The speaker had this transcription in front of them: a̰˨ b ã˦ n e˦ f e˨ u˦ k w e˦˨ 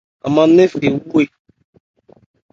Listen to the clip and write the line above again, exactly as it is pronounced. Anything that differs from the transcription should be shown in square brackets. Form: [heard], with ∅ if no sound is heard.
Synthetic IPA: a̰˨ [m] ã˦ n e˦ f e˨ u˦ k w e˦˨